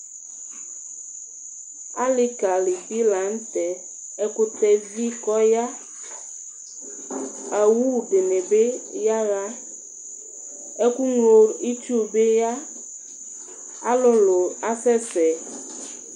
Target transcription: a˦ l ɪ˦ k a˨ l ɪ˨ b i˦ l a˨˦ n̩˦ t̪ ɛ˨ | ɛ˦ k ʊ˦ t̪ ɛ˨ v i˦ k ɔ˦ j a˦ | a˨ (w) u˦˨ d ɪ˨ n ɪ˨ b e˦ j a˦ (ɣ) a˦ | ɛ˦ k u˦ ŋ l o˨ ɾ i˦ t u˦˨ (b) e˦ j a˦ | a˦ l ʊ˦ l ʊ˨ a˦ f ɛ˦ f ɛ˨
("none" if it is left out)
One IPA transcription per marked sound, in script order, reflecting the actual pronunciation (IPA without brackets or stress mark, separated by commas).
w, ɣ, b